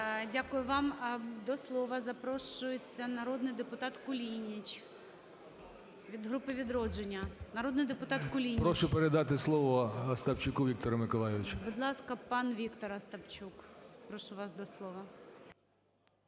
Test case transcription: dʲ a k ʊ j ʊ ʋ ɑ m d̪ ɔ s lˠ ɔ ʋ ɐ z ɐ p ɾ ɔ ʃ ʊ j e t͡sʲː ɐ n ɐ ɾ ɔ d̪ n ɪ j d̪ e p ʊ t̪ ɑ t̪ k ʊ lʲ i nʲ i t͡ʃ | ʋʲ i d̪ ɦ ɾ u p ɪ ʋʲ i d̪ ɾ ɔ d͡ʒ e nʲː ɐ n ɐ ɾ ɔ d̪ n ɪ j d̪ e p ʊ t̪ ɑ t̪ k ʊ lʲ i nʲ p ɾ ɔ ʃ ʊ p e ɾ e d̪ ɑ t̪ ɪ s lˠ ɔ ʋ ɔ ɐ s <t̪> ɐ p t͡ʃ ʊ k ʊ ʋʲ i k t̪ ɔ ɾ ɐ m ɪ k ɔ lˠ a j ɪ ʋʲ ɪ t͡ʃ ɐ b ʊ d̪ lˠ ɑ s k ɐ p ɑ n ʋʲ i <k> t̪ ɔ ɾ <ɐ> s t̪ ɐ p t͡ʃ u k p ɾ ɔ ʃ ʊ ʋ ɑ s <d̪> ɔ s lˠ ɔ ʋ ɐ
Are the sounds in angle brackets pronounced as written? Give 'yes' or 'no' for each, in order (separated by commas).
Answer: yes, yes, yes, yes